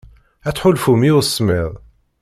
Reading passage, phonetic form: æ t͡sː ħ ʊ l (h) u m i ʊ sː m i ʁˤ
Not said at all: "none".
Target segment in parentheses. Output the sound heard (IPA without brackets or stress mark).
f